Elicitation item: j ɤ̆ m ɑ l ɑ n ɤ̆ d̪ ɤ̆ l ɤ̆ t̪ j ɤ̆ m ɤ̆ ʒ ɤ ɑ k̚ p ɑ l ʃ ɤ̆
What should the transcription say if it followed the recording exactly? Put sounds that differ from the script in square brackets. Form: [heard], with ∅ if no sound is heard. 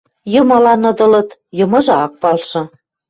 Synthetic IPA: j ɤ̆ m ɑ l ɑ n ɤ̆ d̪ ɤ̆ l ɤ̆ t̪ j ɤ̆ m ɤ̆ ʒ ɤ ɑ k̚ p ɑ l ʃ ɤ̆